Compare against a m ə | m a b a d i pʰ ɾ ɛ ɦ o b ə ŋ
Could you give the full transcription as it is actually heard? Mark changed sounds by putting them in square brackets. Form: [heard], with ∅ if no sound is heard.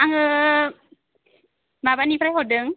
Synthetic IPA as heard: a [ŋ] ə | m a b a [n] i [p] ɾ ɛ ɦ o [d] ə ŋ